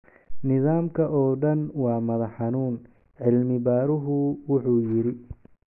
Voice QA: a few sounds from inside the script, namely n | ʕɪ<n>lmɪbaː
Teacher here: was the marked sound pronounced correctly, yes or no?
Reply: no